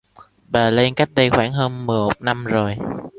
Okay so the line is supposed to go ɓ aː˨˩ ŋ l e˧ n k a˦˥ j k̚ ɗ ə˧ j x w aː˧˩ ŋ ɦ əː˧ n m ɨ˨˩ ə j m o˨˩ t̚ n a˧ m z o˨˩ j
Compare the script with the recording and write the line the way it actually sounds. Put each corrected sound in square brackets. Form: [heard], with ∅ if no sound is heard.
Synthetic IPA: ɓ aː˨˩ [∅] l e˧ n k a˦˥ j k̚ ɗ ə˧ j x w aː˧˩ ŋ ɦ əː˧ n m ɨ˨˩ ə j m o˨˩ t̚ n a˧ m z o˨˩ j